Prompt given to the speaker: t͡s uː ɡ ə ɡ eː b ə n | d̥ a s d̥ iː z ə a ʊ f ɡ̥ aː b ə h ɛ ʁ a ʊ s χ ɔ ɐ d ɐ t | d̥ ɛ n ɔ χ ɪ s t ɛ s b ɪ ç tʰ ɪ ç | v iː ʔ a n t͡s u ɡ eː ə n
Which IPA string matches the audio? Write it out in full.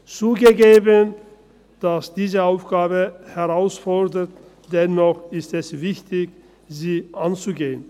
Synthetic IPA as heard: t͡s uː ɡ ə ɡ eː b ə n | d̥ a s d̥ iː z ə a ʊ f ɡ̥ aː b ə h ɛ ʁ a ʊ s f ɔ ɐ d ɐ t | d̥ ɛ n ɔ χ ɪ s t ɛ s v ɪ ç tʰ ɪ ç | z iː ʔ a n t͡s u ɡ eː ə n